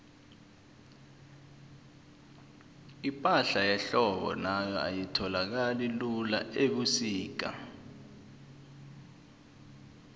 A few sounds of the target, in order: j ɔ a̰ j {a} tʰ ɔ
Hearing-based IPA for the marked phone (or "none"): i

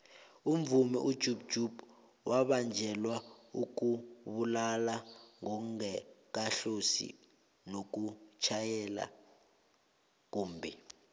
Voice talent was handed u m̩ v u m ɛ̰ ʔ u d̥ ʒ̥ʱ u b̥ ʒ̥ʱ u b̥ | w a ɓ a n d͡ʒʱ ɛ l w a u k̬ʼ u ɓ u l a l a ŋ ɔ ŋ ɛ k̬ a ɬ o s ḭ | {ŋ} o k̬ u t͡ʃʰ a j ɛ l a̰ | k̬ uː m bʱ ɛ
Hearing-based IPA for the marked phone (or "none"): n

